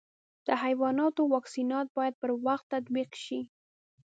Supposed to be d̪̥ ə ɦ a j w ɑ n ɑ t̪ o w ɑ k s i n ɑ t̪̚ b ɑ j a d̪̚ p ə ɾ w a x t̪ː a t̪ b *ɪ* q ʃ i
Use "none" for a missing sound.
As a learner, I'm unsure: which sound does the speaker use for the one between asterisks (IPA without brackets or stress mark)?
i